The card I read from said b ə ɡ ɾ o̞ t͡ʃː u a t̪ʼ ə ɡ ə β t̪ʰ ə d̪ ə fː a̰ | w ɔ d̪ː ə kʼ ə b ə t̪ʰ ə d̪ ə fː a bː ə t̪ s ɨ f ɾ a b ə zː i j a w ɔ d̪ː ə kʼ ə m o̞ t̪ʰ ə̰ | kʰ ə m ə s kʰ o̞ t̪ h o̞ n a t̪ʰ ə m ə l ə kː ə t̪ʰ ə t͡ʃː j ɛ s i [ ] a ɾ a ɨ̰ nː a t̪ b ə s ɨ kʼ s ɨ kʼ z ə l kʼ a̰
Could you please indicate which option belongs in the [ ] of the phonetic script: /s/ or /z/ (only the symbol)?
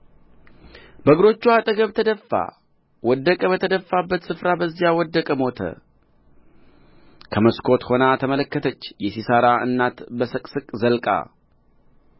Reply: s